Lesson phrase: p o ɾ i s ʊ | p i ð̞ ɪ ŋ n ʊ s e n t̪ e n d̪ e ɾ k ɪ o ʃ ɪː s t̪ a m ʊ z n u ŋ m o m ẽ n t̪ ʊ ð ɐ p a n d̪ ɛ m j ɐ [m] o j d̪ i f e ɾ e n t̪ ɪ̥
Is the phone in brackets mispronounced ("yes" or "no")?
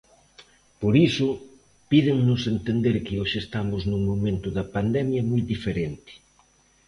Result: no